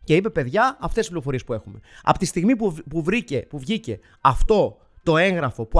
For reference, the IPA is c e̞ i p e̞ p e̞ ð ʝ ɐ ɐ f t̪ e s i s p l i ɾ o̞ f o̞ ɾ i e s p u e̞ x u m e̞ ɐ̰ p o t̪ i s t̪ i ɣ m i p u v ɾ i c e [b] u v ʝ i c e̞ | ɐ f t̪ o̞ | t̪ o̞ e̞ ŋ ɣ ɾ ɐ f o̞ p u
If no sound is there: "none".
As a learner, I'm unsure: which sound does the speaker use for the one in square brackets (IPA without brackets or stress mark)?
p